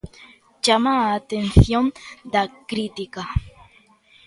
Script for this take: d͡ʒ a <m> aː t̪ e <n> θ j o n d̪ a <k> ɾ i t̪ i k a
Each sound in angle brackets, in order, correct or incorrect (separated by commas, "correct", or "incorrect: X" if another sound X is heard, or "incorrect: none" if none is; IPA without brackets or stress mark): correct, correct, correct